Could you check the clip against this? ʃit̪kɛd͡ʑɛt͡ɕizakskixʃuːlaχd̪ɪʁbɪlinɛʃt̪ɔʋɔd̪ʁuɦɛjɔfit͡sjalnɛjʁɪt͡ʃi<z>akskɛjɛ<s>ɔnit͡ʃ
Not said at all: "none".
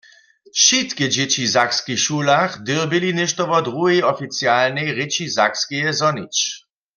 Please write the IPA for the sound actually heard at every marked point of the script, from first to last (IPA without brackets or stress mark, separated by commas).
z, z